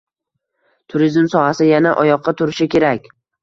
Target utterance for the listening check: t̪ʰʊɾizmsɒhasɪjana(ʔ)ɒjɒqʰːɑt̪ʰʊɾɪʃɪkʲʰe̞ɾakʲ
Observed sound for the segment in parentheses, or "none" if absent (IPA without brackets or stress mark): ʔ